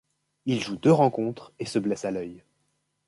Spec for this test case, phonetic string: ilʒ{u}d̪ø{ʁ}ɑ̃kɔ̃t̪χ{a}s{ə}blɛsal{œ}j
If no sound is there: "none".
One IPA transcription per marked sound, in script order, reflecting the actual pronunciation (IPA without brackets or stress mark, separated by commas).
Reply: u, ʁ, e, ə, œ